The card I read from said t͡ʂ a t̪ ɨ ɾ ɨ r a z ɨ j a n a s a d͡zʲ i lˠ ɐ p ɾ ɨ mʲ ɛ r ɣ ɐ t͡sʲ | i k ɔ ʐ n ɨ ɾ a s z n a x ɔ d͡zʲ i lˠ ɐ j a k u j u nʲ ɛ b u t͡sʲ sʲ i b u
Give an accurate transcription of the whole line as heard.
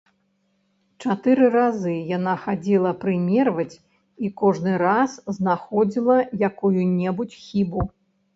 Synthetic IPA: t͡ʂ a t̪ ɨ ɾ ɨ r a z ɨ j a n a x a d͡zʲ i lˠ ɐ p ɾ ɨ mʲ ɛ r v ɐ t͡sʲ | i k ɔ ʐ n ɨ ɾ a s z n a x ɔ d͡zʲ i lˠ ɐ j a k u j u nʲ ɛ b u t͡sʲ xʲ i b u